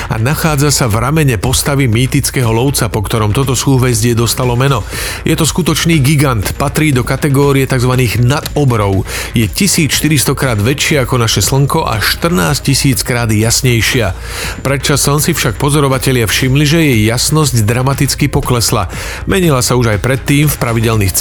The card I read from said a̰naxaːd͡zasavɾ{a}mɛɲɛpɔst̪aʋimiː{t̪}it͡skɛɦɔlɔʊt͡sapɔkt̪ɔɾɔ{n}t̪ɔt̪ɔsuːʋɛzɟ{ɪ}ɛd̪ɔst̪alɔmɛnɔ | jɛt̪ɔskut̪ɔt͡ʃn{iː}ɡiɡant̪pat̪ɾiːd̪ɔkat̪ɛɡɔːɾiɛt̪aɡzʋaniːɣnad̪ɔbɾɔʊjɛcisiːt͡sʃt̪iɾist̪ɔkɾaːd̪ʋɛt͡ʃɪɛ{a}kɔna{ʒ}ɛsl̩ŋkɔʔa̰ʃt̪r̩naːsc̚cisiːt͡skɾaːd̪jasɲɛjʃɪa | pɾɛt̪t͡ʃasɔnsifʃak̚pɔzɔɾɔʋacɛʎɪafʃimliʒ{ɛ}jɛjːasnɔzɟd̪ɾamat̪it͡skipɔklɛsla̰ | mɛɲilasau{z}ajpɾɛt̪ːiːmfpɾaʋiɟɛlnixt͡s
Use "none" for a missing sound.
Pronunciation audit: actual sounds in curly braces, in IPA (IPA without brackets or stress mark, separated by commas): a, t̪, m, ɪ, iː, a, ʃ, ɛ, ʒ